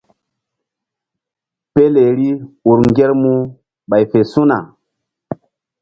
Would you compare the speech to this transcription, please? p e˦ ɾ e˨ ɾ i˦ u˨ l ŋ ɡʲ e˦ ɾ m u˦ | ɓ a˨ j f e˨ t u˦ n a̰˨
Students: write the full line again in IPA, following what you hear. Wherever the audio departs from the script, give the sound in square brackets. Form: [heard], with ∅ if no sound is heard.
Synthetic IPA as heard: p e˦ [l] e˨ ɾ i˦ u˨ [ɾ] ŋ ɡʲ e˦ ɾ m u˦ | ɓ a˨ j f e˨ [s] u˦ n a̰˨